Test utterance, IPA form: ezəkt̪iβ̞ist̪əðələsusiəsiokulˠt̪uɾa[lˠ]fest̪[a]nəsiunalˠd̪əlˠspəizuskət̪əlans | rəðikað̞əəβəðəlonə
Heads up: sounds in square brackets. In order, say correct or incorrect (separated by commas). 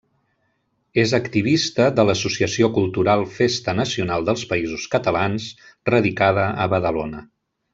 correct, incorrect